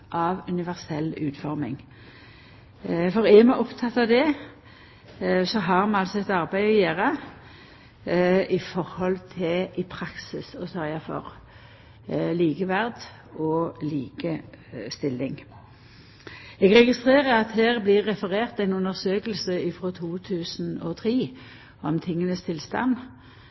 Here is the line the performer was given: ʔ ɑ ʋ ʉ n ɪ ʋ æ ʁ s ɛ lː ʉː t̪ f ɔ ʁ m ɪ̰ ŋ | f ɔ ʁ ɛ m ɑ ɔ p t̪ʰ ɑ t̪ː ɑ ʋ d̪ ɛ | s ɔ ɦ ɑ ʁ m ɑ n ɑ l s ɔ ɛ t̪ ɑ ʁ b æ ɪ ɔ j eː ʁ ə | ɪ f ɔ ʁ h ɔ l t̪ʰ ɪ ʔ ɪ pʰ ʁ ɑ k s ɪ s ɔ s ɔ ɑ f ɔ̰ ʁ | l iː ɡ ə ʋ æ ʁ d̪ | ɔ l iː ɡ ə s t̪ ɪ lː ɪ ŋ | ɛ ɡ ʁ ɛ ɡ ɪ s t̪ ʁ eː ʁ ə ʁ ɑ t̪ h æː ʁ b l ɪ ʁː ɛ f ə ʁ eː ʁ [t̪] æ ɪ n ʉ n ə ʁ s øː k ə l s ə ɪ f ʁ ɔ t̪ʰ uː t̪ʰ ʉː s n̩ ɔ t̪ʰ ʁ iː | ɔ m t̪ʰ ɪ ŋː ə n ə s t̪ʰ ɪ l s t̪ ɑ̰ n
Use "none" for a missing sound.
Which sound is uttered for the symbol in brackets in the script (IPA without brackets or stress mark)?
t̪